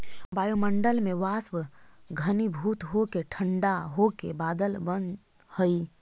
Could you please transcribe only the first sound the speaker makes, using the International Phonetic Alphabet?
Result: b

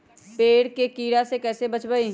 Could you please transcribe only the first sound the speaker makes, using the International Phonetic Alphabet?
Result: p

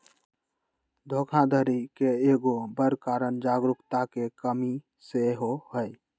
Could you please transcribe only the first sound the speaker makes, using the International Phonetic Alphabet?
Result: d̪ʱ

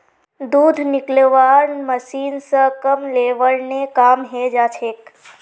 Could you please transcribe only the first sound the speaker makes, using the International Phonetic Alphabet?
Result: d̪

